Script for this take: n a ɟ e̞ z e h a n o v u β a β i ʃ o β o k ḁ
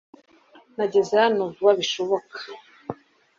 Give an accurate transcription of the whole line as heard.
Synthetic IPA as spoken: n a ɟ e̞ z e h a n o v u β a β i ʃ o β o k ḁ